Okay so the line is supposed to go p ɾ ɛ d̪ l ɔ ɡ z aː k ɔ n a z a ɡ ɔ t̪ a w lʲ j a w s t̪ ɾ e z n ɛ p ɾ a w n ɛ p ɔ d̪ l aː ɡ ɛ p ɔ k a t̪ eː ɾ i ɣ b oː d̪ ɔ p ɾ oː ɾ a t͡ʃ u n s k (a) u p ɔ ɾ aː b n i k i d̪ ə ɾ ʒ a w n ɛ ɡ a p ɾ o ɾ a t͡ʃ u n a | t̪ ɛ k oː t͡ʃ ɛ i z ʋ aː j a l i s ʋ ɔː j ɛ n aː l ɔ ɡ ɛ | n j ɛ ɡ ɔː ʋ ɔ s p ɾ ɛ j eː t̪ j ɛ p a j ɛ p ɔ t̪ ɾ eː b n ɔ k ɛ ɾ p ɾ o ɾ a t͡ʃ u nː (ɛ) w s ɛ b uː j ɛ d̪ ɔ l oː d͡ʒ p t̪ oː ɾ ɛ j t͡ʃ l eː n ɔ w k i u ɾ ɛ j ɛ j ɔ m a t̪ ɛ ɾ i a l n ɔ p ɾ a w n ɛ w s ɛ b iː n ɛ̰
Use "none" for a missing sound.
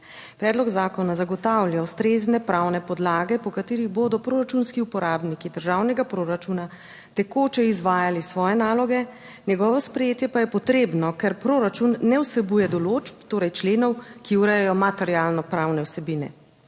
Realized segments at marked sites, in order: i, ɛ

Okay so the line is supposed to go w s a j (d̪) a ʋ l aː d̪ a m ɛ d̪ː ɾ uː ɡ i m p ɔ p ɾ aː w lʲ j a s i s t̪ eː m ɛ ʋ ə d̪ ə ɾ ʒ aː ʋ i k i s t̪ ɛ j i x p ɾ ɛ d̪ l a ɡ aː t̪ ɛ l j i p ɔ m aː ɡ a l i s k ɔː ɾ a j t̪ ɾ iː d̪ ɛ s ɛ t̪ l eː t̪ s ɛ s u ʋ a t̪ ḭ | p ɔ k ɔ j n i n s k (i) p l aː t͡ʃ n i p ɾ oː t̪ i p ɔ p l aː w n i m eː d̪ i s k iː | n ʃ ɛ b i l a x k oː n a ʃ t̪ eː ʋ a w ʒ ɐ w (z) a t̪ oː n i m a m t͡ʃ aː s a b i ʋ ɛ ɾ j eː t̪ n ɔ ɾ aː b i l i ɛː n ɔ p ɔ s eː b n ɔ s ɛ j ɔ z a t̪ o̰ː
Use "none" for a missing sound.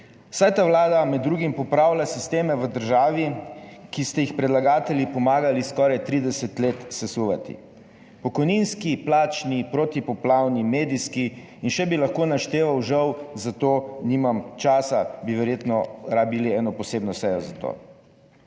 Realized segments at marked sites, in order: t̪, i, z

